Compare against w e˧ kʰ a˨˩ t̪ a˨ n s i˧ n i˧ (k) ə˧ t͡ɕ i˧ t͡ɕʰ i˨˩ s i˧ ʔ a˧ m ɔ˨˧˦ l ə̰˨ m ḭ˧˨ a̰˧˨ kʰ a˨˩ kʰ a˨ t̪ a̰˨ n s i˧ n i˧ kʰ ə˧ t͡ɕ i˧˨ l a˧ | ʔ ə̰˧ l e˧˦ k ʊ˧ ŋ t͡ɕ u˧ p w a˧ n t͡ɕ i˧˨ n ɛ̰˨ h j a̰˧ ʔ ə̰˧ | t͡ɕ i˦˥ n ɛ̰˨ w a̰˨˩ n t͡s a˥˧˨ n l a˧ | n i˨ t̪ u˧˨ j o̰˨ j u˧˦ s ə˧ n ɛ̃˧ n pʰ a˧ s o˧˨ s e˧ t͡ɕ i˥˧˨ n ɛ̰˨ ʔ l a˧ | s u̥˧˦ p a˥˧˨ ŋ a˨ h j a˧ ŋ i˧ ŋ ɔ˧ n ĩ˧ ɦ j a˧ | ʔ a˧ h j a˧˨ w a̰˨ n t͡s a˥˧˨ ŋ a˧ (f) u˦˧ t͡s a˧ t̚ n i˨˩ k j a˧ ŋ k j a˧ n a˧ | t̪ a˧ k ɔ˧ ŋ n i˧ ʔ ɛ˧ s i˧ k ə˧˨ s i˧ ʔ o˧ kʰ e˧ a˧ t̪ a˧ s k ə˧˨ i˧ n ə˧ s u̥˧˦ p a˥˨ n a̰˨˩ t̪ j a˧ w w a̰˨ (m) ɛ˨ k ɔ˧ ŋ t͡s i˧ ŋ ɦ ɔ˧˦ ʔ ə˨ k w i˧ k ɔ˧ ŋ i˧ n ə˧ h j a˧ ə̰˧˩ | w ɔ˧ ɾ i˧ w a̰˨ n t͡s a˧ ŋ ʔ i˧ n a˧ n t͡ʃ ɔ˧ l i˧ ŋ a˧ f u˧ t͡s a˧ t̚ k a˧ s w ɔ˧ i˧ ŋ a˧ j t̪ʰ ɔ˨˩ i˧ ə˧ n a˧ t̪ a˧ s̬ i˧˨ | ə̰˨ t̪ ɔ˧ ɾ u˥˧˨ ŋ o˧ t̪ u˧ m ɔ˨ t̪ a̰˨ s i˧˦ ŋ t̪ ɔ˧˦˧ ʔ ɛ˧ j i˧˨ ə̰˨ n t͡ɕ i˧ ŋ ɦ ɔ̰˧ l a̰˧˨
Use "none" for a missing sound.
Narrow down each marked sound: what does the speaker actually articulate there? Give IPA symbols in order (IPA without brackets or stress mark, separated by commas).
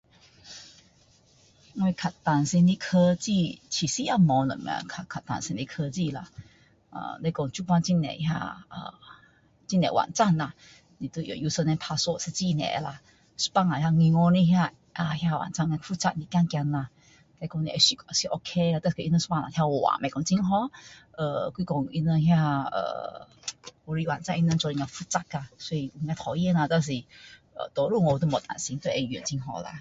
kʰ, f, m